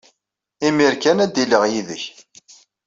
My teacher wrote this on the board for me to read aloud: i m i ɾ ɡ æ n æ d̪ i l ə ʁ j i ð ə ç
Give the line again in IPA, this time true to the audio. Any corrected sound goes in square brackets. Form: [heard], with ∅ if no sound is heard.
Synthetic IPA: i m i ɾ [k] æ n æ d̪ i l ə ʁ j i ð ə ç